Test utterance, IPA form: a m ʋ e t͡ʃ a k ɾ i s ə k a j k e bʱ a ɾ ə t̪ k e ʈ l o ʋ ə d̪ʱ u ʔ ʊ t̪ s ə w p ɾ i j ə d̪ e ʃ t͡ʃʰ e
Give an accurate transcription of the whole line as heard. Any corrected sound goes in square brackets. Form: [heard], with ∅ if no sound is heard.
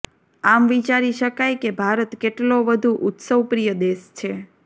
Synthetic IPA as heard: a m ʋ [i] t͡ʃ a [∅] ɾ i [ʃ] ə k a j k e bʱ a ɾ ə t̪ k e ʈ l o ʋ ə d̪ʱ u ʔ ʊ t̪ s ə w p ɾ i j ə d̪ e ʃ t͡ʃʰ e